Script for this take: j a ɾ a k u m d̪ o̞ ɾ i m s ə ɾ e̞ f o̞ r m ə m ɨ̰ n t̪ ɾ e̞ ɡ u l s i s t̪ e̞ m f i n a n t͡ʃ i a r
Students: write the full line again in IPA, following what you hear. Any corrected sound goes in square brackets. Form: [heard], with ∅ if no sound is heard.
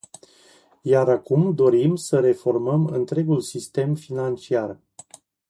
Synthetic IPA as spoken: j a ɾ a k u m d̪ o̞ ɾ i m s ə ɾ e̞ f o̞ r m ə m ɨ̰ n t̪ ɾ e̞ ɡ u l s i s t̪ e̞ m f i n a n t͡ʃ i a r